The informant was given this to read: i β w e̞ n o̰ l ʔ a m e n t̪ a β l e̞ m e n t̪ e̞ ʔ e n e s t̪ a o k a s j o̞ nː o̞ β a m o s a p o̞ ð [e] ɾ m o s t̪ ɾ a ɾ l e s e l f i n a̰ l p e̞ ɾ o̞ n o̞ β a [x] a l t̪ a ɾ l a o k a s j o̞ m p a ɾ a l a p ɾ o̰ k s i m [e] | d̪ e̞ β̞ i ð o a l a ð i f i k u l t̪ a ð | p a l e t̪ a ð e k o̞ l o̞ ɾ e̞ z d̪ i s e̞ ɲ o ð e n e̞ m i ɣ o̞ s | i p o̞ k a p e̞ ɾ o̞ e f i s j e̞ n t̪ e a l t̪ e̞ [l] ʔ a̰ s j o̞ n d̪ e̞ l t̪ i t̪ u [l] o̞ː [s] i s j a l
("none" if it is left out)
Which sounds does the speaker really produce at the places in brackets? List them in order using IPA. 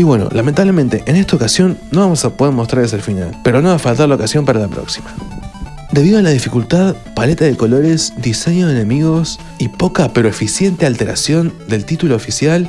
e, f, a, ɾ, l, f

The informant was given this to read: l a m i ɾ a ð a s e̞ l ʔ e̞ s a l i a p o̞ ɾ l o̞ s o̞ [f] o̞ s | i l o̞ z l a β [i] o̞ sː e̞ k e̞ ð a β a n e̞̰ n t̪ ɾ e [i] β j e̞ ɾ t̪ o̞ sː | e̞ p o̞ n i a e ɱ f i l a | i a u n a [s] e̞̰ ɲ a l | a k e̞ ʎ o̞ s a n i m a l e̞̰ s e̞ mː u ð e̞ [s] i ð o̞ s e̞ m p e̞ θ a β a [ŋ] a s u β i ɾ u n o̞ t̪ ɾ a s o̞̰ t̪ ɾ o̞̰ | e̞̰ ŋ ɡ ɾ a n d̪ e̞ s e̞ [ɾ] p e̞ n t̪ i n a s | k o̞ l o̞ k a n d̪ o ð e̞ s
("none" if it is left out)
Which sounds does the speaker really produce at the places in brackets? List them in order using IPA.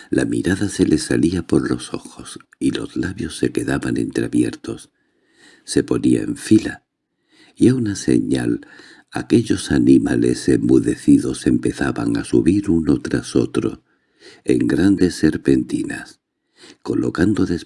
x, j, a, s, θ, ŋ, ɾ

